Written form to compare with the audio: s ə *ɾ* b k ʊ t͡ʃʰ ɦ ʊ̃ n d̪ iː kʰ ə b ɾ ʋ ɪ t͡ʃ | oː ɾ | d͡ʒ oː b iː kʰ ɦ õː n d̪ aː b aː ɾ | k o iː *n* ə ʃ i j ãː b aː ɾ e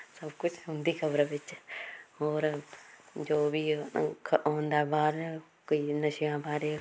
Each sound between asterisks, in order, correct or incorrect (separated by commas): incorrect, correct